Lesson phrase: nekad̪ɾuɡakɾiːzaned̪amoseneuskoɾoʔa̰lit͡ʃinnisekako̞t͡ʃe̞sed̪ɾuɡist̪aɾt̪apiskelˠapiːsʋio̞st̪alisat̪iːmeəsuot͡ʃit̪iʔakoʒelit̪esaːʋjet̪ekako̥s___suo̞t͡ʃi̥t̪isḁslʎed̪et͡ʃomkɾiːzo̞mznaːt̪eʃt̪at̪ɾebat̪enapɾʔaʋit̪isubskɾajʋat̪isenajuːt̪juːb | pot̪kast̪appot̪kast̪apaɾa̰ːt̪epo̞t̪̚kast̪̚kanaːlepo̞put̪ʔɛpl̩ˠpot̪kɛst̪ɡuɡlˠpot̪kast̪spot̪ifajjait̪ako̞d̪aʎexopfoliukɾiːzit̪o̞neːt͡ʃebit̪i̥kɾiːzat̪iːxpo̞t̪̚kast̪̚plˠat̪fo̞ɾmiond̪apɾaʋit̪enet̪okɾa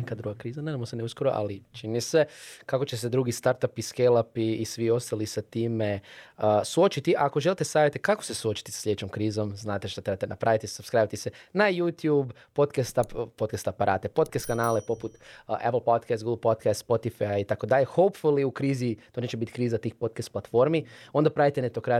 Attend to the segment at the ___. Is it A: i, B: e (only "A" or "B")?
B